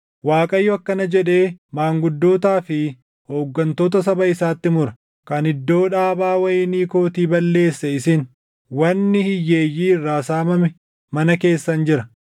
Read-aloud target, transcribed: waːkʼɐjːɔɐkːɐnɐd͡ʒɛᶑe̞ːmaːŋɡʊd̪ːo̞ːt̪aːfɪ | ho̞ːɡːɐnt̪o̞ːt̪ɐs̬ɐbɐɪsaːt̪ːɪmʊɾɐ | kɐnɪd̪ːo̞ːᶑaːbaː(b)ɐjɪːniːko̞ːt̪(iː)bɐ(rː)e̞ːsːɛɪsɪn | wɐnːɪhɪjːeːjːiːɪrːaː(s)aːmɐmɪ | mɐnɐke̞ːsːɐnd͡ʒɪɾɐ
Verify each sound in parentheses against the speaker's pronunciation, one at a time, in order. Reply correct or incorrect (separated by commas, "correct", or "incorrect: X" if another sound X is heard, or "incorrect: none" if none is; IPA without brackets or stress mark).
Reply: incorrect: w, correct, incorrect: lː, correct